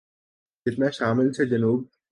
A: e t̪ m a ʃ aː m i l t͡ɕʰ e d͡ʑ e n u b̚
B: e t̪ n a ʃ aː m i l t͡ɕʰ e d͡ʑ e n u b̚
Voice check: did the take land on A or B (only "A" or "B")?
B